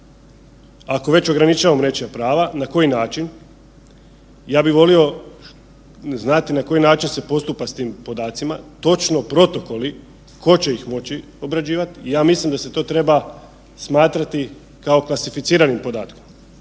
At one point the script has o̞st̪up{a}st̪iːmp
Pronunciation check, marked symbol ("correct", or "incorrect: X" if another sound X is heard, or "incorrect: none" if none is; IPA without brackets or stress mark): correct